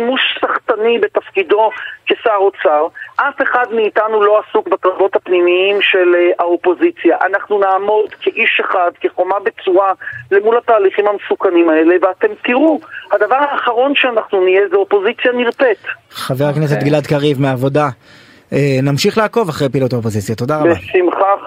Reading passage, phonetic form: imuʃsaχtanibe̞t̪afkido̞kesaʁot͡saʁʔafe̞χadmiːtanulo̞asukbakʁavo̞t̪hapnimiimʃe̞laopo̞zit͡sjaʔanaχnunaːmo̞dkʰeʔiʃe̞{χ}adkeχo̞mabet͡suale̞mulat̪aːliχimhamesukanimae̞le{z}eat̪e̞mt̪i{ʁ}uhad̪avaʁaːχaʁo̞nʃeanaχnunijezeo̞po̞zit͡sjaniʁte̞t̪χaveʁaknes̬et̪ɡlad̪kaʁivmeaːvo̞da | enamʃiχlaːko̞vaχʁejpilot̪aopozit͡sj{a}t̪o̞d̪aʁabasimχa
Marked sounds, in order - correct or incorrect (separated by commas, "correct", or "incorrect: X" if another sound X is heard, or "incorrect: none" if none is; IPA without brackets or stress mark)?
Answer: correct, incorrect: v, correct, correct